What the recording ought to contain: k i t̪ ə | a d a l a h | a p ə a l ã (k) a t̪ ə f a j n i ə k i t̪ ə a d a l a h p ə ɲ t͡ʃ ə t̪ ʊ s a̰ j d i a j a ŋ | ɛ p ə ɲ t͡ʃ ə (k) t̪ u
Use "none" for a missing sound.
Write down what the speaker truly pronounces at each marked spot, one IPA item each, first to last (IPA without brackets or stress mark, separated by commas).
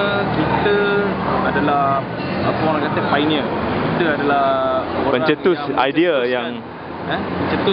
k, none